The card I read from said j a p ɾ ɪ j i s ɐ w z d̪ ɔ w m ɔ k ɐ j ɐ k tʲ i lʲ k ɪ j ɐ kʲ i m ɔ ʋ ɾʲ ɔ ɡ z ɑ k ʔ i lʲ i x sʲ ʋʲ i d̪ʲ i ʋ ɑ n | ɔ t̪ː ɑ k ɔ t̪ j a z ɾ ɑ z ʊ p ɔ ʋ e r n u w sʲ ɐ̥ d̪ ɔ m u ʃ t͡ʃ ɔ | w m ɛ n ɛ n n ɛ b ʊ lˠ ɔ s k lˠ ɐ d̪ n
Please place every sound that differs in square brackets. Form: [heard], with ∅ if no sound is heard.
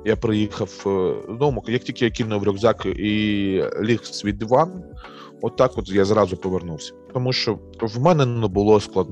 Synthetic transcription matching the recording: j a p ɾ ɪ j i [x] ɐ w z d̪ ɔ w m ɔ k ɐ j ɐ k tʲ i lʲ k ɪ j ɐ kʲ i [n] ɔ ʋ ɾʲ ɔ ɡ z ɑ k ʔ i lʲ i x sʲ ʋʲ i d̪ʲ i ʋ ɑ n | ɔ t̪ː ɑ k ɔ t̪ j a z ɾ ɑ z ʊ p ɔ ʋ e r n u w sʲ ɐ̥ [t̪] ɔ m u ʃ t͡ʃ ɔ | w m ɛ n ɛ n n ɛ b ʊ lˠ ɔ s k lˠ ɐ d̪ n